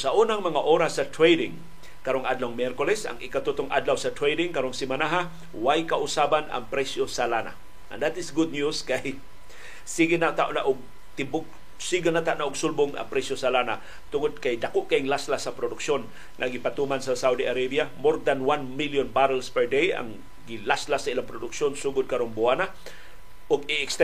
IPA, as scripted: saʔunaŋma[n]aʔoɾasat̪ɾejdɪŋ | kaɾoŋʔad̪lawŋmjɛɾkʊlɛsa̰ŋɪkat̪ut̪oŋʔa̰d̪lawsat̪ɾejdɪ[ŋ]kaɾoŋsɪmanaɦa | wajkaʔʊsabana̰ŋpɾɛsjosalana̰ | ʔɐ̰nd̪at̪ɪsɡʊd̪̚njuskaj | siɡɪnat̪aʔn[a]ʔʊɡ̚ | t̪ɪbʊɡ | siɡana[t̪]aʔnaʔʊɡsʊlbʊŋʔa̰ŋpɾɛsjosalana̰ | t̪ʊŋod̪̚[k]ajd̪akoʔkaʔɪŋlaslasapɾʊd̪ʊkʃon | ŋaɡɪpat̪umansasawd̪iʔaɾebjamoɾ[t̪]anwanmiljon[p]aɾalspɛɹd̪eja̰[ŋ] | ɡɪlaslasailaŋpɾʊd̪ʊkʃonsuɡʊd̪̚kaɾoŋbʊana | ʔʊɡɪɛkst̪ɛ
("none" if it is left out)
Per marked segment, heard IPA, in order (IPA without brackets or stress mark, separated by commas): ŋ, ŋ, a, t̪, k, d̪, b, ŋ